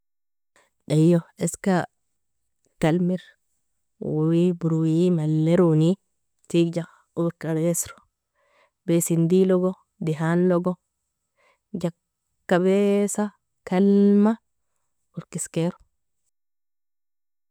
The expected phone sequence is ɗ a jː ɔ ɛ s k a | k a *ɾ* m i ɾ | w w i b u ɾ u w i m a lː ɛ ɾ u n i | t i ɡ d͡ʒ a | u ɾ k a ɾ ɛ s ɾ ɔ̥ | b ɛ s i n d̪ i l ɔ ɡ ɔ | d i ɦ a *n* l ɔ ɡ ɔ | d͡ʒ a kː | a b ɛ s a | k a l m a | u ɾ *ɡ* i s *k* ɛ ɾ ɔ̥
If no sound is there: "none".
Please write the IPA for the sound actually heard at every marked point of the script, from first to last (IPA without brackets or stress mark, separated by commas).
l, n, k, k